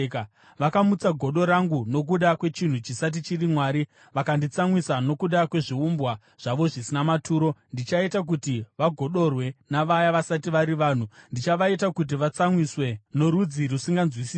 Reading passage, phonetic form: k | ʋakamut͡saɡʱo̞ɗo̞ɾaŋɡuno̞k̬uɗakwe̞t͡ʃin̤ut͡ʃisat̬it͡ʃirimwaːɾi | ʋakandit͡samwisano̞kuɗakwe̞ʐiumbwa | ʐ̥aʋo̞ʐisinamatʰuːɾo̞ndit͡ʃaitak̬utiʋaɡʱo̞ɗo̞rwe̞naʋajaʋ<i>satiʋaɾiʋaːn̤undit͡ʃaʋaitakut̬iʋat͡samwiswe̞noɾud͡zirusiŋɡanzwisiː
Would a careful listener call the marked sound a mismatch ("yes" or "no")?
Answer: yes